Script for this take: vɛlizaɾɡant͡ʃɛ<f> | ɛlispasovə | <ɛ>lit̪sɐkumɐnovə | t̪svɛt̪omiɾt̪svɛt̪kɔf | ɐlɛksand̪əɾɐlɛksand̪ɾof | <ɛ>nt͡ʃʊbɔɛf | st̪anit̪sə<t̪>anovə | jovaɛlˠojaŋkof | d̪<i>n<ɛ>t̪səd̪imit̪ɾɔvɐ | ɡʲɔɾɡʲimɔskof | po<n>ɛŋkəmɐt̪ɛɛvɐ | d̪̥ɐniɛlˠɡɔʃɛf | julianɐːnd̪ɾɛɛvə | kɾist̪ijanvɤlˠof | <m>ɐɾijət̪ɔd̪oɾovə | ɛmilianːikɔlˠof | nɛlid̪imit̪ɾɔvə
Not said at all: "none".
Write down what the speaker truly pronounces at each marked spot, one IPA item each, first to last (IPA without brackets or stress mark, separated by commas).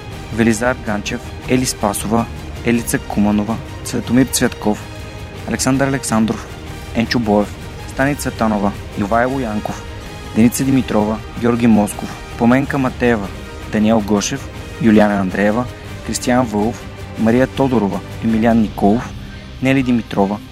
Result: f, ɛ, ɛ, t̪, ɛ, i, m, m